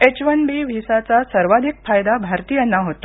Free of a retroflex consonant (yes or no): yes